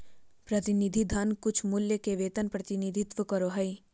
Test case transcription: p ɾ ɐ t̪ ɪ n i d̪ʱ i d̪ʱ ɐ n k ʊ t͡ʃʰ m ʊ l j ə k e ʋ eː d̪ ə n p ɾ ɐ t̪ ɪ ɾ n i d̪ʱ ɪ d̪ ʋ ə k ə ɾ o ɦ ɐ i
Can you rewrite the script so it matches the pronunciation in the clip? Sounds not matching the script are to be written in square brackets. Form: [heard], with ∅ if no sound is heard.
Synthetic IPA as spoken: p ɾ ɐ t̪ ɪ n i d̪ʱ i d̪ʱ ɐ n k ʊ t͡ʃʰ m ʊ l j ə k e ʋ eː [t̪] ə n p ɾ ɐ t̪ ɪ [∅] n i d̪ʱ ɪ [t̪] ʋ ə k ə ɾ o ɦ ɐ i